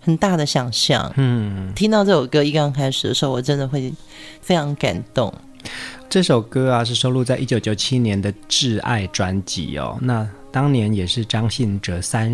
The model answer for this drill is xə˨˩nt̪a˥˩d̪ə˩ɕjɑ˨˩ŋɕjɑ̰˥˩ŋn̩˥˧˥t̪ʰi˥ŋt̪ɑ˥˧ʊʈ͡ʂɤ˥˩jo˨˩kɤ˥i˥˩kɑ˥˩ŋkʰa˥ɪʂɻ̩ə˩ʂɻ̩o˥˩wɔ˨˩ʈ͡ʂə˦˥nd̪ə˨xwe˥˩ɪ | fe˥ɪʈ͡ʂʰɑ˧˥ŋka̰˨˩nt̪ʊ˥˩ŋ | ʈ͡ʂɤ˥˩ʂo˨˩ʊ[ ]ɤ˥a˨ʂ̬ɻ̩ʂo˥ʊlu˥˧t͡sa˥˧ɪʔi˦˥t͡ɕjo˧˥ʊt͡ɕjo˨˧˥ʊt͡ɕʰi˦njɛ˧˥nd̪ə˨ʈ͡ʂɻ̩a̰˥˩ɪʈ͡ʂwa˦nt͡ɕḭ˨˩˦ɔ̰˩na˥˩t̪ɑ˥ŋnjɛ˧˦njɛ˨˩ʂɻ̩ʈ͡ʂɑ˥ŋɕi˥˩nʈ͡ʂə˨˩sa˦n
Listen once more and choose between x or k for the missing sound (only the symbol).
k